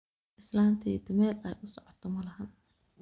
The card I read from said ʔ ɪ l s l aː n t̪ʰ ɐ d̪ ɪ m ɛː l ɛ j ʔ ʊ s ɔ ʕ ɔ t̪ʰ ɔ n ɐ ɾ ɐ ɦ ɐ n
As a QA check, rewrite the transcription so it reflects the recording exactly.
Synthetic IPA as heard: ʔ ɪ s l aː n t̪ʰ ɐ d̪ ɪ m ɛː l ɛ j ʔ ʊ s ɔ ʕ ɔ t̪ʰ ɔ m ɐ l ɐ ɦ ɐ n